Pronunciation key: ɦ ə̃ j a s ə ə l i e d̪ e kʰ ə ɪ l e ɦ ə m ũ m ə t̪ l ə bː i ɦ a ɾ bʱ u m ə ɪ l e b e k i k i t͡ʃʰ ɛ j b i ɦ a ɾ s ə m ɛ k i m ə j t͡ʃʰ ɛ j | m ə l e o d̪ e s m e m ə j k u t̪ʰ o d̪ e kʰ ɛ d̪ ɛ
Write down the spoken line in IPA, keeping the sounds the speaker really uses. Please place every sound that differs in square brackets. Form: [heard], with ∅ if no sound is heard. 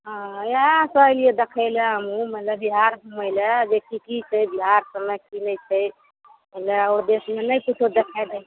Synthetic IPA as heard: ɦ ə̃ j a s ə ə l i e d̪ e kʰ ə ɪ l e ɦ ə m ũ m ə t̪ l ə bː i ɦ a ɾ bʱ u m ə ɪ l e b e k i k i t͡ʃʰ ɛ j b i ɦ a ɾ s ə m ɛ k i [n] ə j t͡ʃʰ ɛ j | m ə l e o d̪ e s m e [n] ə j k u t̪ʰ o d̪ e kʰ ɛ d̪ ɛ